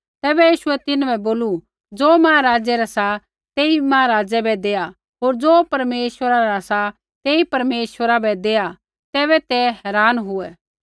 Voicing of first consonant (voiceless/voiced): voiceless